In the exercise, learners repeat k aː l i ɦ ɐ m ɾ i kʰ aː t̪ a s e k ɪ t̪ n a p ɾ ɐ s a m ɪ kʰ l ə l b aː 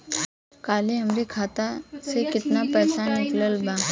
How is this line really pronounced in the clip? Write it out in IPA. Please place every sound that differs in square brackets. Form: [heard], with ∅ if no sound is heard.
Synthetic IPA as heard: k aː l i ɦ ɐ m ɾ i kʰ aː t̪ a s e k ɪ t̪ n a p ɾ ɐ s a [n] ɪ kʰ l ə l b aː